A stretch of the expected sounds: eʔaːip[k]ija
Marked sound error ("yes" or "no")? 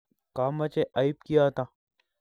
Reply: no